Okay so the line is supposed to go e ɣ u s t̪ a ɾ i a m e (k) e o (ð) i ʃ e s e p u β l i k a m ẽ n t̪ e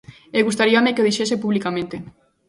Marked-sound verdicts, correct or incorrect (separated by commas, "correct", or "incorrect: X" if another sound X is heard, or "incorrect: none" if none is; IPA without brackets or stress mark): correct, correct